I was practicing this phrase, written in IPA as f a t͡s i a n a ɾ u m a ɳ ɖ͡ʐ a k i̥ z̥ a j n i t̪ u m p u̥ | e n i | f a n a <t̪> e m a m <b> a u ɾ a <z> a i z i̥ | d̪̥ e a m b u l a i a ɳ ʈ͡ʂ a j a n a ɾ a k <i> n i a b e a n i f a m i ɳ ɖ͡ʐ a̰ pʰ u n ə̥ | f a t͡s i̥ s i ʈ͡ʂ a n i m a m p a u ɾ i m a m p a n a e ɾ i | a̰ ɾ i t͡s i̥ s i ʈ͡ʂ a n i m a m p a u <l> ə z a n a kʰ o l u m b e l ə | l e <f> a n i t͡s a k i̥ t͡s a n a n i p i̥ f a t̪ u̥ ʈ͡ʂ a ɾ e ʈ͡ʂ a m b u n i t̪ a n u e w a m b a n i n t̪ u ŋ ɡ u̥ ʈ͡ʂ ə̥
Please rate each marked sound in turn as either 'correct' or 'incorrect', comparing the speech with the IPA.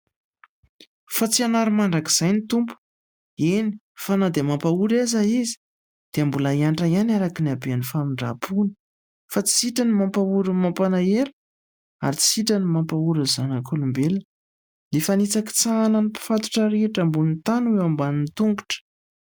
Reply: incorrect: d̪, incorrect: p, correct, correct, incorrect: ɾ, correct

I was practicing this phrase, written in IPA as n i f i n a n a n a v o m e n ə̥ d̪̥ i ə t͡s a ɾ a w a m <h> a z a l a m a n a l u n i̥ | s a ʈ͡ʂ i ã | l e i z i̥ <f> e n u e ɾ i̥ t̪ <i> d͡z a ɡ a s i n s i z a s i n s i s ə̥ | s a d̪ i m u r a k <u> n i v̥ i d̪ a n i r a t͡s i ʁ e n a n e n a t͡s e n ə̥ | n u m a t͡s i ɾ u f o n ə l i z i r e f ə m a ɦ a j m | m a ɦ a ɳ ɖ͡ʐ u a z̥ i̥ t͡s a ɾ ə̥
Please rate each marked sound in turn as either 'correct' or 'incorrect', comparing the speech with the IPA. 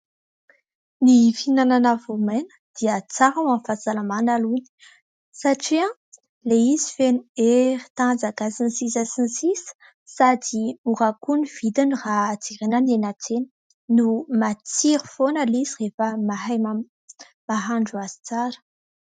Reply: incorrect: f, correct, incorrect: a, correct

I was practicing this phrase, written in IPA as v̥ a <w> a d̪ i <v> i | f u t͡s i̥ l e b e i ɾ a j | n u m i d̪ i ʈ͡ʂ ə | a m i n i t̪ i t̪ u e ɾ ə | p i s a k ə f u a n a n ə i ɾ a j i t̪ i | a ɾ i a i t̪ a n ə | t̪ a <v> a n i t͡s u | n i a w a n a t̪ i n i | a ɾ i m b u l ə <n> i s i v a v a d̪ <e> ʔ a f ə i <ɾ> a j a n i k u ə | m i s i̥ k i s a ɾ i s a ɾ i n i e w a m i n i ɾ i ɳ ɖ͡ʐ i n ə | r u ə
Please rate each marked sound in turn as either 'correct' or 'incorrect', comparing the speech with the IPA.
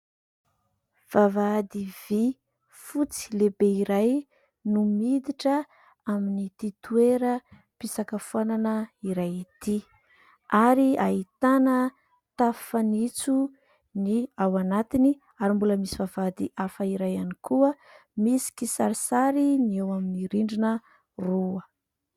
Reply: incorrect: v, correct, incorrect: f, incorrect: m, incorrect: i, correct

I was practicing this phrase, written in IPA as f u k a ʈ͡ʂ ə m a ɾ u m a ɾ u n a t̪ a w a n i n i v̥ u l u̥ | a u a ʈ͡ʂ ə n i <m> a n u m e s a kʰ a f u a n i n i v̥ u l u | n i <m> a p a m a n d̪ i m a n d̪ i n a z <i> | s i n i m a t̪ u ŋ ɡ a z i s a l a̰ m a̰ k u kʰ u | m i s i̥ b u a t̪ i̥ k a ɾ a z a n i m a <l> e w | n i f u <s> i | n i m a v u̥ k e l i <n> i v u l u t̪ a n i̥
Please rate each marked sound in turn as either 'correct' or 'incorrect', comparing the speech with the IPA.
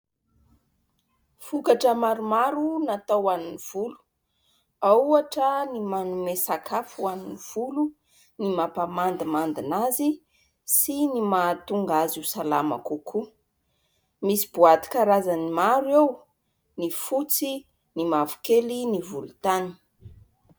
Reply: correct, correct, correct, incorrect: ɾ, incorrect: t͡s, correct

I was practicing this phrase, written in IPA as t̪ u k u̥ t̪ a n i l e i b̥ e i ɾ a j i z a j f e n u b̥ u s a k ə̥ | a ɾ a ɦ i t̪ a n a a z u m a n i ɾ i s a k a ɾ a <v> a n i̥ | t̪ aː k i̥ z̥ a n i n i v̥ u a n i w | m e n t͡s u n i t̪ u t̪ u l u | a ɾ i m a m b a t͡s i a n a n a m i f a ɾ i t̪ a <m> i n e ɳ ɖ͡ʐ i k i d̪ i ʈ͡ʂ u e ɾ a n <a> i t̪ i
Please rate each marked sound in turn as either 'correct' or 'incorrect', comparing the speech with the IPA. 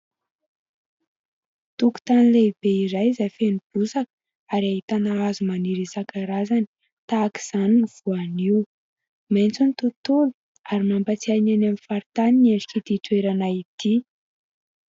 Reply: incorrect: z, incorrect: n, correct

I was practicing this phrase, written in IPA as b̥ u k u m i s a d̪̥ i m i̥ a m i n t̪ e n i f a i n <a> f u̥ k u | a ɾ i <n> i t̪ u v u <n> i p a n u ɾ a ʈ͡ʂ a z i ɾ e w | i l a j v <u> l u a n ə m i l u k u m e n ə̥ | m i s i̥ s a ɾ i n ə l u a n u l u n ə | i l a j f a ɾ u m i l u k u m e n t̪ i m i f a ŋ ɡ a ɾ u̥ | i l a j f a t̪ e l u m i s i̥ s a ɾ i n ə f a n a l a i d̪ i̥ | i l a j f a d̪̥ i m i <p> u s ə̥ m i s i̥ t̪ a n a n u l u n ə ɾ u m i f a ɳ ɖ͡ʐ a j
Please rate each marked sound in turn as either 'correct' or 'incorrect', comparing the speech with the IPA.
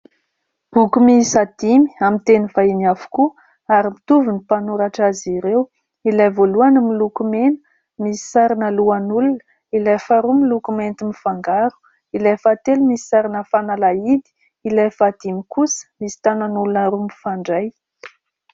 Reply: correct, incorrect: m, correct, incorrect: o, incorrect: k

